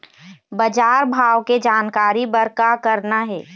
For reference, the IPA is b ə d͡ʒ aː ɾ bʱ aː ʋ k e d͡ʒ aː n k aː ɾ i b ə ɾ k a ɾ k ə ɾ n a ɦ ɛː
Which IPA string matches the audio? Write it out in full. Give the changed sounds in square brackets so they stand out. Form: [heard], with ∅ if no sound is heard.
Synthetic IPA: b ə d͡ʒ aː ɾ bʱ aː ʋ k e d͡ʒ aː n k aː ɾ i b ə ɾ k a [∅] k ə ɾ n a ɦ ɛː

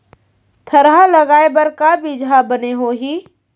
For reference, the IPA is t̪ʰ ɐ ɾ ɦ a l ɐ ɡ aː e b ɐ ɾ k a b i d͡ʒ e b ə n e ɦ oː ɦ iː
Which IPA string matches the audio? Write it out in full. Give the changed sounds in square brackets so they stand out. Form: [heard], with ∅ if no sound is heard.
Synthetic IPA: t̪ʰ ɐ ɾ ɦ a l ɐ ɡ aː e b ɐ ɾ k a b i d͡ʒ [a] b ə n e ɦ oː ɦ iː

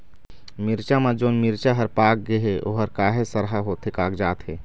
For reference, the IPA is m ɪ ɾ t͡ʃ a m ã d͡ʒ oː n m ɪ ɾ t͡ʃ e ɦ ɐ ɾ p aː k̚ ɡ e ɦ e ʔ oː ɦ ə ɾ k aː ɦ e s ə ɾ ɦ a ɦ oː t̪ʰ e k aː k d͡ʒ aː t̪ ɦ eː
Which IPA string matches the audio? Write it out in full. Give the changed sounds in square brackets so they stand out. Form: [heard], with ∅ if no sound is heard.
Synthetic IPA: m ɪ ɾ t͡ʃ a m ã d͡ʒ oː n m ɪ ɾ t͡ʃ [a] ɦ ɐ ɾ p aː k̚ ɡ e ɦ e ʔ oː ɦ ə ɾ k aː ɦ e s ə ɾ ɦ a ɦ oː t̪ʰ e k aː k d͡ʒ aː t̪ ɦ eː

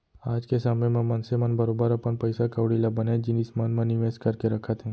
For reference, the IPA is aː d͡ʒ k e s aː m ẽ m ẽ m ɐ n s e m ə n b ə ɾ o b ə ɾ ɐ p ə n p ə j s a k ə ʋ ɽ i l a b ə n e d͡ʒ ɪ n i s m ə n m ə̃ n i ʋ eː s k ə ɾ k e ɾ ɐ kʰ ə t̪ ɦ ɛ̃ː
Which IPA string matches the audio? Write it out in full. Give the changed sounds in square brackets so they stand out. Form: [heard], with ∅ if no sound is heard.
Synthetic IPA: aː d͡ʒ k e s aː m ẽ m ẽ m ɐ n s e m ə n b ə ɾ o b ə ɾ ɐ p ə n p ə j s a k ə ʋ ɽ i l a b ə n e d͡ʒ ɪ n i s m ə n m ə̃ n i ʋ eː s k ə ɾ k e ɾ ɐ kʰ ə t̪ ɦ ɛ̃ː

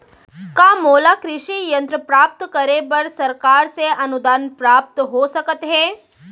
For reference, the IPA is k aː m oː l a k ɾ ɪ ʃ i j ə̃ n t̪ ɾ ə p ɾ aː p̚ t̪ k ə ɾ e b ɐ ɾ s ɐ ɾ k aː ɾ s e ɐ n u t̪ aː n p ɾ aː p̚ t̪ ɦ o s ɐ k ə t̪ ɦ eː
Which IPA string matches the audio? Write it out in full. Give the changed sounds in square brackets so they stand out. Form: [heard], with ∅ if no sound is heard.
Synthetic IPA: k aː m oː l a k ɾ ɪ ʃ i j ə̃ n t̪ ɾ ə p ɾ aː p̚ t̪ k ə ɾ e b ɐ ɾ s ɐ ɾ k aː ɾ s e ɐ n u [d̪] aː n p ɾ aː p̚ t̪ ɦ o s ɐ k ə t̪ ɦ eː

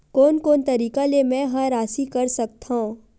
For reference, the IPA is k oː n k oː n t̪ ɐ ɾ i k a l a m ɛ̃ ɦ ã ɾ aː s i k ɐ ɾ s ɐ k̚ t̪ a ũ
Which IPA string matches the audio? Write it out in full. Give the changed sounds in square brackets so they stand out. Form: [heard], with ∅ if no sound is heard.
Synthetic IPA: k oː n k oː n t̪ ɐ ɾ [iː] k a l [e] m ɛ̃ ɦ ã ɾ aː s i k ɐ ɾ s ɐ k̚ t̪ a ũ

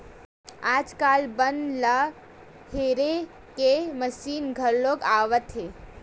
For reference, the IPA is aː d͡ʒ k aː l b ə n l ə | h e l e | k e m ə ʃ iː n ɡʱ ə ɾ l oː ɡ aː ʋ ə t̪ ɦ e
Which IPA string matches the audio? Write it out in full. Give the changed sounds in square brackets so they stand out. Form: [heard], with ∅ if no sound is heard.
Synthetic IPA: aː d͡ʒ k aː l b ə n l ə | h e [ɾ] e | k e m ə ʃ iː n ɡʱ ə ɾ l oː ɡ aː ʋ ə t̪ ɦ e

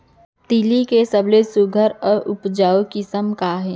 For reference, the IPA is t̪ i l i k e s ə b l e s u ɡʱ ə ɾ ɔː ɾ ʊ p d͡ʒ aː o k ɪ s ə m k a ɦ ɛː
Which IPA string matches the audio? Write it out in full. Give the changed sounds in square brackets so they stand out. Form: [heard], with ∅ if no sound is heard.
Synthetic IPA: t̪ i l i k e s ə b l e s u ɡʱ ə ɾ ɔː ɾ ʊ p d͡ʒ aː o k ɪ s ə m k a ɦ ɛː

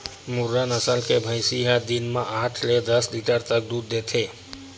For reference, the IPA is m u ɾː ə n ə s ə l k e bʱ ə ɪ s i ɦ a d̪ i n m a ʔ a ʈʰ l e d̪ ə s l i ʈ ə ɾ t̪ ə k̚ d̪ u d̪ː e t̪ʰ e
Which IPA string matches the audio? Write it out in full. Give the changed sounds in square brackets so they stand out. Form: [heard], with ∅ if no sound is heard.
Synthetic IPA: m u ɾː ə n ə s ə l k e bʱ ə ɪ s i ɦ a d̪ i n m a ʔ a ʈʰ l e d̪ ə s l i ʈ ə ɾ t̪ ə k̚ d̪ u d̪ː e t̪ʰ e

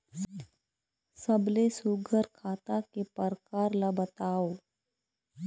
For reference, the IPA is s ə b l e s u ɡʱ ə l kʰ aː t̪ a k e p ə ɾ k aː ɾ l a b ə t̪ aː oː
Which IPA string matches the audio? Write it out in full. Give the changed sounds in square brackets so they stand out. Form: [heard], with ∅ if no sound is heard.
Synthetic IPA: s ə b l e s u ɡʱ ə [ɾ] kʰ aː t̪ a k e p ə ɾ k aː ɾ l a b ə t̪ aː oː

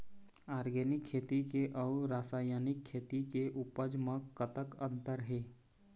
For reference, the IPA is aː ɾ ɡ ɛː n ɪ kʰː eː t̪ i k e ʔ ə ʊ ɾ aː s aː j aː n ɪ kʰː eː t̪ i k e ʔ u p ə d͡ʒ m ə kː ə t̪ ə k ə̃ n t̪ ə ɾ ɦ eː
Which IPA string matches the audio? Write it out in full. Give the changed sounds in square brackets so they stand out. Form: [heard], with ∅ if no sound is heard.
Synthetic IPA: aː ɾ ɡ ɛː n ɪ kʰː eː t̪ i k e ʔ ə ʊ ɾ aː s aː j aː n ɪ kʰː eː t̪ i k e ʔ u p ə d͡ʒ m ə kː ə t̪ ə k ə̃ n t̪ ə ɾ ɦ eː

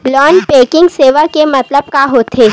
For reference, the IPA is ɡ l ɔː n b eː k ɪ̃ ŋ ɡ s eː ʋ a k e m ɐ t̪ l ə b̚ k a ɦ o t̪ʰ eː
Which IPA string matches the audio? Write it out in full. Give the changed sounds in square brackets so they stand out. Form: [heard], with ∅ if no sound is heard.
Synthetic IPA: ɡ l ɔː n [p] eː k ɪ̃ ŋ ɡ s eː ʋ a k e m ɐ t̪ l ə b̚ k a ɦ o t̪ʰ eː

